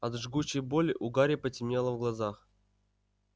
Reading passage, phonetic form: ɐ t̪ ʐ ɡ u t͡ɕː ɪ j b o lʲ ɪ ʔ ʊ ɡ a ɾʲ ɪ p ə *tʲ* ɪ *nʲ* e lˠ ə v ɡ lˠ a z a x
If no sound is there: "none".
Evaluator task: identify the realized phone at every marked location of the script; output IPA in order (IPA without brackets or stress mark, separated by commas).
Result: tʲ, mʲ